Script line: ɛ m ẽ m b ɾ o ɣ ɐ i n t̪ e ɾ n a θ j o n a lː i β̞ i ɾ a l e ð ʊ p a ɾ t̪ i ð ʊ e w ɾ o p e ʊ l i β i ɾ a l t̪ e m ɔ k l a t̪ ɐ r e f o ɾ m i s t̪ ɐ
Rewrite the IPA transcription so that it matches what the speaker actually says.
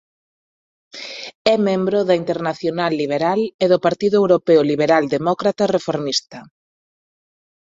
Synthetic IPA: ɛ m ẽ m b ɾ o ð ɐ i n t̪ e ɾ n a θ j o n a lː i β̞ e ɾ a l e ð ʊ p a ɾ t̪ i ð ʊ e w ɾ o p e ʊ l i β e ɾ a l d̪ e m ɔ k ɾ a t̪ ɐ r e f o ɾ m i s t̪ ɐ